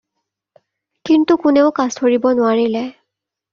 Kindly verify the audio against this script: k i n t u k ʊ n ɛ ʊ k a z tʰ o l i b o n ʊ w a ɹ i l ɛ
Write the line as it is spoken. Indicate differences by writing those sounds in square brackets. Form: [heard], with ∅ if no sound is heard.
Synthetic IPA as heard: k i n t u k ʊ n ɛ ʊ k a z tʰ o [ɹ] i b [ɔ] n ʊ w a ɹ i l ɛ